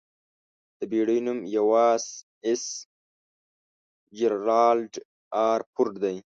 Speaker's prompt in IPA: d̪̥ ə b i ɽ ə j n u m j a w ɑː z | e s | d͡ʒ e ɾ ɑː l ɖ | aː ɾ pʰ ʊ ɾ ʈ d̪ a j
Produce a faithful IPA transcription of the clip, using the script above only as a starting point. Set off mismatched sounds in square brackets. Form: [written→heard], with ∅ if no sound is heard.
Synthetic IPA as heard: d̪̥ ə b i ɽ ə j n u m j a w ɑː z | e s | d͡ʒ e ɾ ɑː l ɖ | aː ɾ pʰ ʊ ɾ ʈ d̪ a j

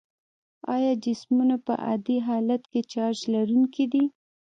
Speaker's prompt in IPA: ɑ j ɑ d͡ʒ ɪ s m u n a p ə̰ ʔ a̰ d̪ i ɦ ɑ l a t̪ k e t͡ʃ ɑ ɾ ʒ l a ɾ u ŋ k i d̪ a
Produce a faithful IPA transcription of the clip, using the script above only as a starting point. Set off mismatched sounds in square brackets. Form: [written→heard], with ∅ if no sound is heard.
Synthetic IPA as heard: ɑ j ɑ d͡ʒ ɪ s m u n a p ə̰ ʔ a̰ d̪ i ɦ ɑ l a t̪ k e t͡ʃ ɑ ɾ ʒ l a ɾ u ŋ k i d̪ [a→i]

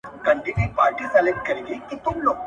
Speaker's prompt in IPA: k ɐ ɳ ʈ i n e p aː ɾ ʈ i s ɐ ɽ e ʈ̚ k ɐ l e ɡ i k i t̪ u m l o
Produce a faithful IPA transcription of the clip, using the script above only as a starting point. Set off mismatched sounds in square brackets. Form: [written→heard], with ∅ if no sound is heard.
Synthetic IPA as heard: k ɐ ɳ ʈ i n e p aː ɾ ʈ i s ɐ [ɽ→l] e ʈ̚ k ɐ [l→ɾ] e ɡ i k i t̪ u m l o

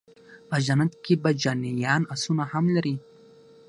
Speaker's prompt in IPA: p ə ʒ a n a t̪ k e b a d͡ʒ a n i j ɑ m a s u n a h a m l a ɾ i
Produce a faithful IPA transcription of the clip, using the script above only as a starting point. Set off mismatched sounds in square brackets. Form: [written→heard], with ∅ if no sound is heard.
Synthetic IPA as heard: p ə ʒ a n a t̪ k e b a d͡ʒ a n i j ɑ [m→n] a s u n a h a m l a ɾ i

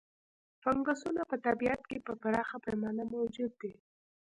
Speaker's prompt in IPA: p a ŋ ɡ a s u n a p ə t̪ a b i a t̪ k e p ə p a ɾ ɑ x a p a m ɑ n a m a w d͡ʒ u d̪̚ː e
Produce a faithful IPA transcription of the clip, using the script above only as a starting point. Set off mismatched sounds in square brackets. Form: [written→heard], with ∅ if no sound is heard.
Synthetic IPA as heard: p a ŋ ɡ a s u n a p ə t̪ a b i a t̪ k e p ə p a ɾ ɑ x a p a m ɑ n a m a w d͡ʒ u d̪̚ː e

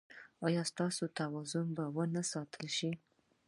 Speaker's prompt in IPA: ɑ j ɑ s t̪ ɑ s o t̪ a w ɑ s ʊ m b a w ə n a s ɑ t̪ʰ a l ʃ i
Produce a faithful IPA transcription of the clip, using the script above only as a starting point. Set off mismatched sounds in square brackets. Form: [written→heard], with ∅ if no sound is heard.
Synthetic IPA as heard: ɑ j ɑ s t̪ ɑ s o t̪ a w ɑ [s→z] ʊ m b a w ə n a s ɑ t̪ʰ [a→ə] l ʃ i

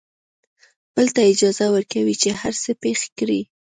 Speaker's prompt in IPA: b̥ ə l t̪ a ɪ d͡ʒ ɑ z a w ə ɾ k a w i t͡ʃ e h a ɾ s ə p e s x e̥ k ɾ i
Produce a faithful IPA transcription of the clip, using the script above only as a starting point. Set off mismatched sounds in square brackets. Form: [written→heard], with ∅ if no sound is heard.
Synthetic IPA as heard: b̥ ə l t̪ a ɪ d͡ʒ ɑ z a w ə ɾ k a w i t͡ʃ e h a ɾ s ə p e [s→∅] x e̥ k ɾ i

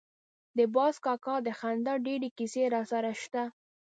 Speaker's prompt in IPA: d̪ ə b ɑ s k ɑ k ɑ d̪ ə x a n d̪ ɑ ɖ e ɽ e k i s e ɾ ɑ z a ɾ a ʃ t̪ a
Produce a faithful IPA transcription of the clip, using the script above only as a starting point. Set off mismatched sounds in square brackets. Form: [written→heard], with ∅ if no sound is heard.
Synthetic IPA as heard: d̪ ə b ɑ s k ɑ k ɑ d̪ ə x a n d̪ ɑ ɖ e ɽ e k i s e ɾ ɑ [z→s] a ɾ a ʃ t̪ a

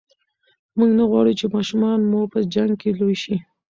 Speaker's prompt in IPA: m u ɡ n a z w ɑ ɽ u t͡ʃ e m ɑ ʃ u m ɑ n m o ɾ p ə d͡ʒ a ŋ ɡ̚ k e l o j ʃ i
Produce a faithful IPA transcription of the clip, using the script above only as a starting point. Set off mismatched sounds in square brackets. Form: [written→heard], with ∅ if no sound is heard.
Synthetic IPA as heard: m u ɡ n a [z→ɣ] w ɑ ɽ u t͡ʃ e m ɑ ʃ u m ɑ n m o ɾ p ə d͡ʒ a ŋ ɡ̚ k e l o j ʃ i

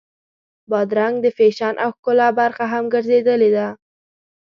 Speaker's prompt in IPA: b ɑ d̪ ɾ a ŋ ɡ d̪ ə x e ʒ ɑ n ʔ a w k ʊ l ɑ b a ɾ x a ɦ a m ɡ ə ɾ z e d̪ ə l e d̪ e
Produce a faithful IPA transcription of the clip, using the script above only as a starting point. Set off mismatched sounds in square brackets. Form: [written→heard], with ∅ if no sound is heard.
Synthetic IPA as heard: b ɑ d̪ ɾ a ŋ ɡ d̪ ə [x→f] e [ʒ→ʃ] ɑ n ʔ a w k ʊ l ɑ b a ɾ x a ɦ a m ɡ ə ɾ z e d̪ ə l e d̪ [e→a]

